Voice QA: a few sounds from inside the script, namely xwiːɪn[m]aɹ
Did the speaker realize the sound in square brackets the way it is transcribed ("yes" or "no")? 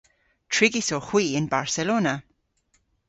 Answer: no